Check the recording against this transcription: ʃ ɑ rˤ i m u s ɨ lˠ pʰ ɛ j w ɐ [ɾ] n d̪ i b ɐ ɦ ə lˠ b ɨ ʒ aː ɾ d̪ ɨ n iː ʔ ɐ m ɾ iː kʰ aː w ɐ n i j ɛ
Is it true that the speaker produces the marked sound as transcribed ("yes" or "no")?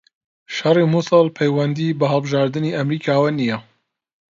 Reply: no